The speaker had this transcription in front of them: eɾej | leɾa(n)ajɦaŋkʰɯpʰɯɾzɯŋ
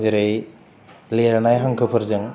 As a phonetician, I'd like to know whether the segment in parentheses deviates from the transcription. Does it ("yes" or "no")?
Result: no